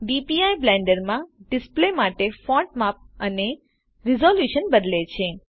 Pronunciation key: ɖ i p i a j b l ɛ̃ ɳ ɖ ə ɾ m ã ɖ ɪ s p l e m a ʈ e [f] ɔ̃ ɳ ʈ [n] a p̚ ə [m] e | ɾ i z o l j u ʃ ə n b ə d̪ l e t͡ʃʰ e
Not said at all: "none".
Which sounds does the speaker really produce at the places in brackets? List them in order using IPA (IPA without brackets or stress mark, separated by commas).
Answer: f, m, n